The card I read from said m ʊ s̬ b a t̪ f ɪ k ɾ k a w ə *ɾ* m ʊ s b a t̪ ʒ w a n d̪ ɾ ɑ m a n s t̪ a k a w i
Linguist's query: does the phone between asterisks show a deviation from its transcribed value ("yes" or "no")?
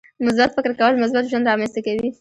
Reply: yes